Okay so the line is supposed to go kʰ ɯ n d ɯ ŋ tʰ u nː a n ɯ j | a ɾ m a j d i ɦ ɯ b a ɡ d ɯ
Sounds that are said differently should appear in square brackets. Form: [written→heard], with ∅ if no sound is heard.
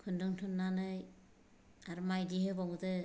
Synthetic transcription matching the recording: kʰ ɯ n d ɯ ŋ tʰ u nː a n ɯ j | a ɾ m a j d i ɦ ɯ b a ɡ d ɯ